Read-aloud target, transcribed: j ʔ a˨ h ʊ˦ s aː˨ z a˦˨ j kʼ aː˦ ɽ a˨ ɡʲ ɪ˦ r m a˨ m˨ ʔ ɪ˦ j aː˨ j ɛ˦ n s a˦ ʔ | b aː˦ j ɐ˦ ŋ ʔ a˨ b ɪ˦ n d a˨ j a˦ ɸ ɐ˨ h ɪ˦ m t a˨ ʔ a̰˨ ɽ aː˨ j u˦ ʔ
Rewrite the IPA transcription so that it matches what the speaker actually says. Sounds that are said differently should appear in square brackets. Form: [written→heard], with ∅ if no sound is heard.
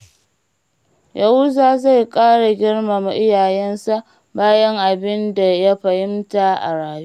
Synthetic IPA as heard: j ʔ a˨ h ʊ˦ [s→z] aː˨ z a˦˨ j kʼ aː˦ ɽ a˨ ɡʲ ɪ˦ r m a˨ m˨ ʔ ɪ˦ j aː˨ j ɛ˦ n s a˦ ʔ | b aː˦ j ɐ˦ ŋ ʔ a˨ b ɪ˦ n d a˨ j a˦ ɸ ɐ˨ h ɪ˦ m t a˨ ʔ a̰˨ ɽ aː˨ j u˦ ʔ